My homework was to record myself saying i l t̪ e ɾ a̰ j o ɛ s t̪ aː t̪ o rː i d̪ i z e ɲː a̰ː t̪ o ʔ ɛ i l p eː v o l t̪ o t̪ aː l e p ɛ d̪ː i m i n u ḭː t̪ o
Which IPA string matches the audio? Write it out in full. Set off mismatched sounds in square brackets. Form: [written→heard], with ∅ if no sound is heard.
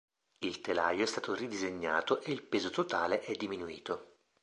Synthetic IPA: i l t̪ e [ɾ→l] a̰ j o ɛ s t̪ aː t̪ o [rː→r] i d̪ i z e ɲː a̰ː t̪ o ʔ [ɛ→e] i l p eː [v→z] o [l→∅] t̪ o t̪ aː l e [p→ʔ] ɛ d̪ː i m i n u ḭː t̪ o